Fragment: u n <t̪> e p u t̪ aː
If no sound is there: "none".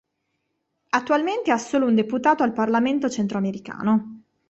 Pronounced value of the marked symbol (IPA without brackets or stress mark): d̪